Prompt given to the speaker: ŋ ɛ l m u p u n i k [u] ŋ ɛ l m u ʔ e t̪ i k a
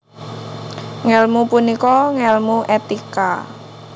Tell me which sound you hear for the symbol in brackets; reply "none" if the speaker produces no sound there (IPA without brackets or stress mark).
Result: ɔ